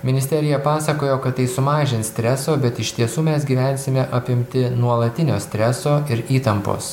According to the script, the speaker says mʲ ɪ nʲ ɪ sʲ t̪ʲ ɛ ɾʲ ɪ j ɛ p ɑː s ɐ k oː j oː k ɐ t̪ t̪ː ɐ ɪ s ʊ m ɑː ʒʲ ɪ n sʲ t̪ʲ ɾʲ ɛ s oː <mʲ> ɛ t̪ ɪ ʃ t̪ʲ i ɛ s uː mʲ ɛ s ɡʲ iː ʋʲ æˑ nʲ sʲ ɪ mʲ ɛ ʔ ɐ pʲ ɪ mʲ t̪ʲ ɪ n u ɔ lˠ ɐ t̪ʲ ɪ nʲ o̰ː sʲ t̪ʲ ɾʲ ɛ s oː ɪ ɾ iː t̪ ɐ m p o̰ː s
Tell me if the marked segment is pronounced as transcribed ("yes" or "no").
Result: no